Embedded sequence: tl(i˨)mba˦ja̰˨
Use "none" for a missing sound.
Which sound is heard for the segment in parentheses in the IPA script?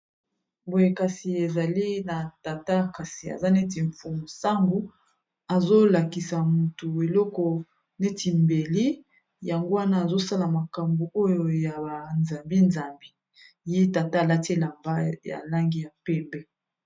a˨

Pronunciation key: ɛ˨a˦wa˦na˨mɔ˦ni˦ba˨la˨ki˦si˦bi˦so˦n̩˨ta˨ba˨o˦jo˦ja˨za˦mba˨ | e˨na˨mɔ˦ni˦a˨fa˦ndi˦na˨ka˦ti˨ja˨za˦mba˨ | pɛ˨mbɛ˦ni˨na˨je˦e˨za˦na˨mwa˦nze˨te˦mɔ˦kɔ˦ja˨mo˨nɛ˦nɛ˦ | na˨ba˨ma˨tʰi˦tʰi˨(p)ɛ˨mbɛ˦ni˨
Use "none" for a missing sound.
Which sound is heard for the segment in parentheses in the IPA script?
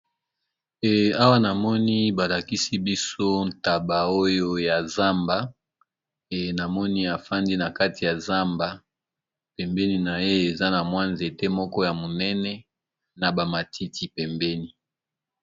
p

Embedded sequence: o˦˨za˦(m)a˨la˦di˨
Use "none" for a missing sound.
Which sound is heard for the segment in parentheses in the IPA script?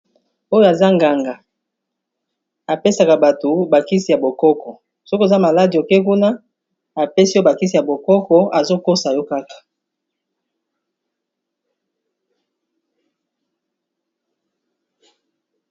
m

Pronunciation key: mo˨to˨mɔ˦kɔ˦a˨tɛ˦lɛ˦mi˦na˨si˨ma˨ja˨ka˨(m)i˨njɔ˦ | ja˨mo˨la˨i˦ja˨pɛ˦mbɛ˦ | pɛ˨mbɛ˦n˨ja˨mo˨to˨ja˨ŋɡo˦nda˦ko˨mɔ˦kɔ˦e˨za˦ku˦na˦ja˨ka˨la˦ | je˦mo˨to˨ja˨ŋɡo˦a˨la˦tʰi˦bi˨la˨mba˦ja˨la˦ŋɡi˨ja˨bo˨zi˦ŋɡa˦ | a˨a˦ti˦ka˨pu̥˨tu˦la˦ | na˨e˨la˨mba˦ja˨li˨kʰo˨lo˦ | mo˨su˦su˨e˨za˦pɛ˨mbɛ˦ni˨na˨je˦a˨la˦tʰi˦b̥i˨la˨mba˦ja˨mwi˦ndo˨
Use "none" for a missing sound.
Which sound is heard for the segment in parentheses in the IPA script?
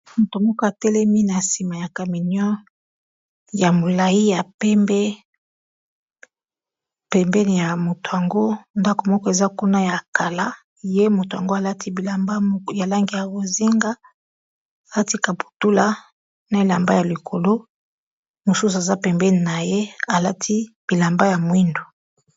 m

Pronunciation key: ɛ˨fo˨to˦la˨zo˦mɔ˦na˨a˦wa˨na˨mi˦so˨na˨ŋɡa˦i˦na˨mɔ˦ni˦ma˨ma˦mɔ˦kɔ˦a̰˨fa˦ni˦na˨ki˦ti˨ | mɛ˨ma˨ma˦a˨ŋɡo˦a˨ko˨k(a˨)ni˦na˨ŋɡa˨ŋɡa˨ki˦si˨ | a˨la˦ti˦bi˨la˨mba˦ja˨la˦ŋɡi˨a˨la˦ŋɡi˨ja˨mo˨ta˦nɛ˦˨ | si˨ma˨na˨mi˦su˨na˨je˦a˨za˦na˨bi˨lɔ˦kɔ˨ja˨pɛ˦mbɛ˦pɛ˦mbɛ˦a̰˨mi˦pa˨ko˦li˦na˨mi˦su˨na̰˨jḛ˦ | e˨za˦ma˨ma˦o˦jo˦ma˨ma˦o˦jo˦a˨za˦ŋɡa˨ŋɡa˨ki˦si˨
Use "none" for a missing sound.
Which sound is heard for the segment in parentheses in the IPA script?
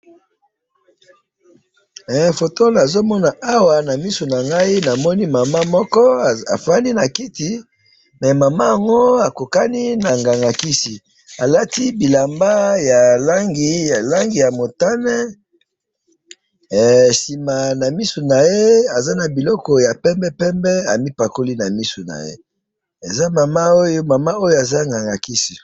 a˦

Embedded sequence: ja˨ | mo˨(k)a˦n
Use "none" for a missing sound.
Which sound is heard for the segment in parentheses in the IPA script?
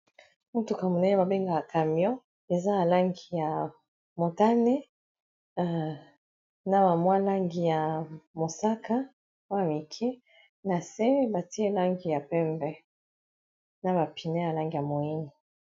t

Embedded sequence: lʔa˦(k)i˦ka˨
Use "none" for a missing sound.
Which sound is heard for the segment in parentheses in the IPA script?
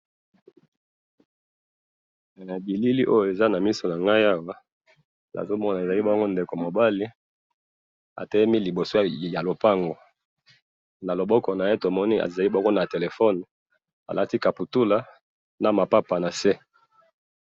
t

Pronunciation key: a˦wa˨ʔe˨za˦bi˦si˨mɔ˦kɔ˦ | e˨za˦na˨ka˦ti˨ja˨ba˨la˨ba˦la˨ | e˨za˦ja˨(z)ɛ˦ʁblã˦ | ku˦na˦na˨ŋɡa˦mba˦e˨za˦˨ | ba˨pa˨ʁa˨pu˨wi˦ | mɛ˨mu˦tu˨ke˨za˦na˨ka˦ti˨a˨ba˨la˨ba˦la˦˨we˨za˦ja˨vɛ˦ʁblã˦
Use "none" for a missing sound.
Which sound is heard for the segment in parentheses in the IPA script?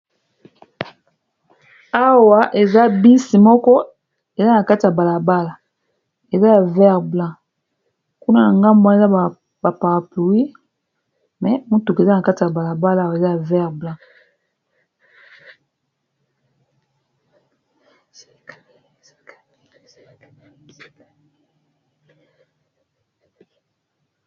v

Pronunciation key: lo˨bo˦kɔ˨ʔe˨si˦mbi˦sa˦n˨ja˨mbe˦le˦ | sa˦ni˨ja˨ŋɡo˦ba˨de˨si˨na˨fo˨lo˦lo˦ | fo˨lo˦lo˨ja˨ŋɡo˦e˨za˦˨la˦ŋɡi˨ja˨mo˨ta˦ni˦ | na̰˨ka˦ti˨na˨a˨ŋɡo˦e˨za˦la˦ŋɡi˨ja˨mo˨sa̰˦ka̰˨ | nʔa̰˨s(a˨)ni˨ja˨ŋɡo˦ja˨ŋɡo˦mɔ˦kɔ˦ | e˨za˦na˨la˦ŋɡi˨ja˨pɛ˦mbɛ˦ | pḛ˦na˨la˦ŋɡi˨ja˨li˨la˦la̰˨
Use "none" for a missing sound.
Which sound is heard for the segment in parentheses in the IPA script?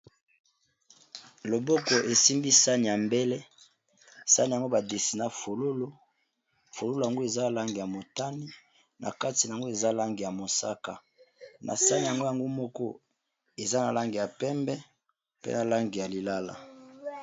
a˦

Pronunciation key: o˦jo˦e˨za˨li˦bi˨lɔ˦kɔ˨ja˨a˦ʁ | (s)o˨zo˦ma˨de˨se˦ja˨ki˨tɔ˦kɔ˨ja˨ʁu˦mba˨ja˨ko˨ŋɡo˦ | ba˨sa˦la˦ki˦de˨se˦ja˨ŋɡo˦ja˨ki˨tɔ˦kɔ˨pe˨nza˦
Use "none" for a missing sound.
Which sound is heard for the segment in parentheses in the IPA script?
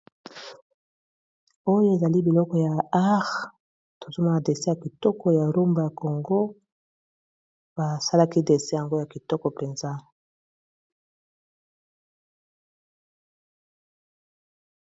t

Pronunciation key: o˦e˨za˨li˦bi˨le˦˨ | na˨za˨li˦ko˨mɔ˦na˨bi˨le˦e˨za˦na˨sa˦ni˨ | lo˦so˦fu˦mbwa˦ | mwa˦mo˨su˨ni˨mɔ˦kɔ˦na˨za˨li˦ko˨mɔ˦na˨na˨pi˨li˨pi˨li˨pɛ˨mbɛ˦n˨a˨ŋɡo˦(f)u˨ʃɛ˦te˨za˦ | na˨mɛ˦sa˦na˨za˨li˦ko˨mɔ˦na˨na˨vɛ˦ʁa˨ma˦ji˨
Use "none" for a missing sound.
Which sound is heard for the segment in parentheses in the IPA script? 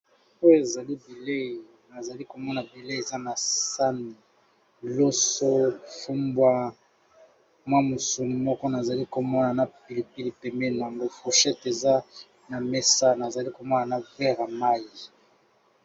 f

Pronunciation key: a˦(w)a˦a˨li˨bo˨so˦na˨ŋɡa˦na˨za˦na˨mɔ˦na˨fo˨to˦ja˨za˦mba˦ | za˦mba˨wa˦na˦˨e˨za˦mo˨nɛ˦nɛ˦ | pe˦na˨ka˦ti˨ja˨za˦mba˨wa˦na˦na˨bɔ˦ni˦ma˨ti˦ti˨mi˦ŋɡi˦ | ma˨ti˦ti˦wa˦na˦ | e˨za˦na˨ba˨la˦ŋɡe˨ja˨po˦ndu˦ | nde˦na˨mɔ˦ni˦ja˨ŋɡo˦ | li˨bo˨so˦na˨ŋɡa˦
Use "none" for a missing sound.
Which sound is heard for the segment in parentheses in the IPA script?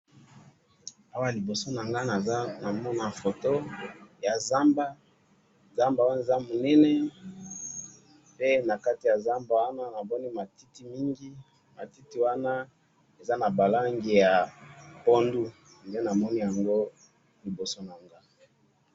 w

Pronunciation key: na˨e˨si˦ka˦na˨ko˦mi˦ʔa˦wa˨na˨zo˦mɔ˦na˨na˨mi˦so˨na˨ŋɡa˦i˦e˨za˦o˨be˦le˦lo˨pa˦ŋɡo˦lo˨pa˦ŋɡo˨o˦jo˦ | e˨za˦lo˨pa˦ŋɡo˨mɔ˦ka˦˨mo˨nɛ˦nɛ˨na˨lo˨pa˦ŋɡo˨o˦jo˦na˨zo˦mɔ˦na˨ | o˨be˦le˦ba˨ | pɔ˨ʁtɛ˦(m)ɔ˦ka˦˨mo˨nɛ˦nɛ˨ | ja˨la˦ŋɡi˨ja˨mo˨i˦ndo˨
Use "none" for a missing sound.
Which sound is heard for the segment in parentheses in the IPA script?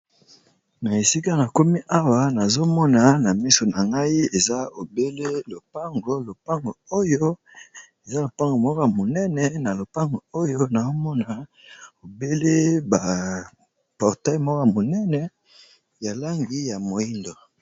m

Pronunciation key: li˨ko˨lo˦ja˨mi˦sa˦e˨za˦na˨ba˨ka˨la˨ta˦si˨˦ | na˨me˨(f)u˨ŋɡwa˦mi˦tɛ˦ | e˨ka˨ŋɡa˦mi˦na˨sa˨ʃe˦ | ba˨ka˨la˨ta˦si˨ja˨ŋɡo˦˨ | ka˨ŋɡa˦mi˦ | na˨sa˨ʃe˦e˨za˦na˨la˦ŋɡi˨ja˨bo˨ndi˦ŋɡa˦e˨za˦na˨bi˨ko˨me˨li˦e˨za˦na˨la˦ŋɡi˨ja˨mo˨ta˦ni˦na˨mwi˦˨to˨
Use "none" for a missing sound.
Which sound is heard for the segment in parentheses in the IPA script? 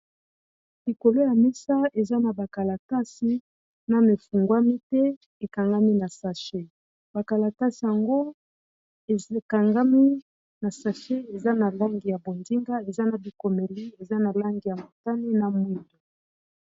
f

